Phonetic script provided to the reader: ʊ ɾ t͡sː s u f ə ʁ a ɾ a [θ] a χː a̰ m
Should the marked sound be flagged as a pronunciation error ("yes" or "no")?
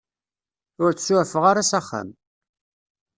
yes